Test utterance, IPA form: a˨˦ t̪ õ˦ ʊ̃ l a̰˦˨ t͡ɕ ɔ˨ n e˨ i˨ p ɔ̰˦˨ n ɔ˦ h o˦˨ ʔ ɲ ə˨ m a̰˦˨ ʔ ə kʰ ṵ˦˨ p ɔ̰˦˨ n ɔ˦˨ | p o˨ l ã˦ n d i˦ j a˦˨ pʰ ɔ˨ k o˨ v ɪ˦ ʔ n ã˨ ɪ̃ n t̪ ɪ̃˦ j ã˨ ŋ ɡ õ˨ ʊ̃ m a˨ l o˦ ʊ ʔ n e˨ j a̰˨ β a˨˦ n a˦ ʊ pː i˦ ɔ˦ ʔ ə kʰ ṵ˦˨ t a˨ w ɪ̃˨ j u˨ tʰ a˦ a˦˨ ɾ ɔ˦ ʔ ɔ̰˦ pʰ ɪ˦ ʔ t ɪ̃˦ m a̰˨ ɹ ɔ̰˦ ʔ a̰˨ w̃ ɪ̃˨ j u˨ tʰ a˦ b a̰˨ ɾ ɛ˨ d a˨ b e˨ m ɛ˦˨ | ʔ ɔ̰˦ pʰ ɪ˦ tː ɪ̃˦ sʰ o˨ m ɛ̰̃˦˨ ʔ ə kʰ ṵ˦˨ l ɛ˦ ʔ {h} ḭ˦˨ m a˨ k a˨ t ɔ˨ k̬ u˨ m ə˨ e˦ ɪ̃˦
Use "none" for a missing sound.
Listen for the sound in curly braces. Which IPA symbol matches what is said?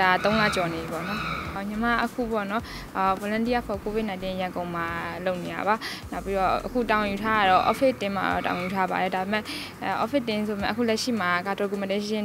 ʃ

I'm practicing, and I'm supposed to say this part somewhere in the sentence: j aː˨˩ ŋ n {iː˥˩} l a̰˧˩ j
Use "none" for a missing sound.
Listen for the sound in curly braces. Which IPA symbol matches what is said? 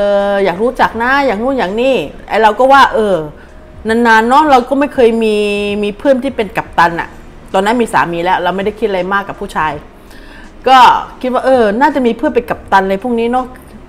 iː˥˩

